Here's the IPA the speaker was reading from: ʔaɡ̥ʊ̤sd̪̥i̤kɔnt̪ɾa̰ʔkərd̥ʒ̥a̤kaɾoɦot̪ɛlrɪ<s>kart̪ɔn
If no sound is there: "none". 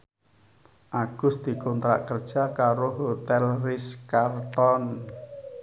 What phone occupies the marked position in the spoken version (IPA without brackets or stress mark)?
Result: s